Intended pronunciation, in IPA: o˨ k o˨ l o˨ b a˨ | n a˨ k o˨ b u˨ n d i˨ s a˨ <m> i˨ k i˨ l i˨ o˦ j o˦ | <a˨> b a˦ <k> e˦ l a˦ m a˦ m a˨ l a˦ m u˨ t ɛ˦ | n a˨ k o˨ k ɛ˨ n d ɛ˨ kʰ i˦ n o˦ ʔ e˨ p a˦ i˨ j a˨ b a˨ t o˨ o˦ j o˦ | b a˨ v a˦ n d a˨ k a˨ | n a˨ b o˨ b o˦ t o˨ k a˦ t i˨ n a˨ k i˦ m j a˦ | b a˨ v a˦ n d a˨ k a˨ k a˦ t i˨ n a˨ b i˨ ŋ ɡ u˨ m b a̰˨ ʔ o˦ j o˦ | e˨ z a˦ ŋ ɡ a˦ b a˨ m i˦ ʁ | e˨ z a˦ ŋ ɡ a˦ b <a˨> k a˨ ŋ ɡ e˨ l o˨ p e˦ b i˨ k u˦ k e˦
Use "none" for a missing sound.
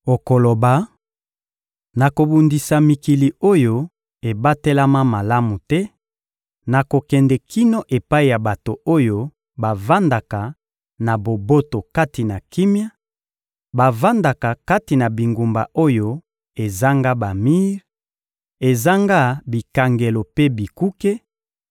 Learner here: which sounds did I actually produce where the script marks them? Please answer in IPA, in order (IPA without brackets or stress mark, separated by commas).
m, e˨, t, i˨